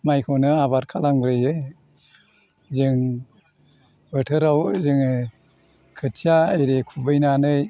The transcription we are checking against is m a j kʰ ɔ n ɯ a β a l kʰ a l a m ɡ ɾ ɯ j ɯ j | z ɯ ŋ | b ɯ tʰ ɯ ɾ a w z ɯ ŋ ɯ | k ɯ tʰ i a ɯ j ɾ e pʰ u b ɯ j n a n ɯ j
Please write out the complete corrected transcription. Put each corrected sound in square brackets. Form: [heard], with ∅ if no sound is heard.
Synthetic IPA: m a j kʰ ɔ n ɯ a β a [ɾ] kʰ a l a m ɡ ɾ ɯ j ɯ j | z ɯ ŋ | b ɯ tʰ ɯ ɾ a w z ɯ ŋ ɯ | [kʰ] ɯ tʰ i a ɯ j ɾ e [kʰ] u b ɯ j n a n ɯ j